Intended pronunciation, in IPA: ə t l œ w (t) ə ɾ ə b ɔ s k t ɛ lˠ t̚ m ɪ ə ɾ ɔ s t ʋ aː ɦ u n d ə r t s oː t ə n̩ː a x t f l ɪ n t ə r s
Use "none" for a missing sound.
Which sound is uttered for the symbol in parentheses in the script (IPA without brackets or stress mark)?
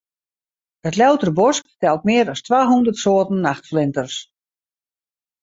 t